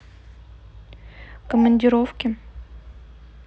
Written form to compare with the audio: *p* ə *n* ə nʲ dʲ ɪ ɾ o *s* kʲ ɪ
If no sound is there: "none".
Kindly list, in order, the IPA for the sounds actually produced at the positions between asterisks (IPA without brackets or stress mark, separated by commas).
k, m, f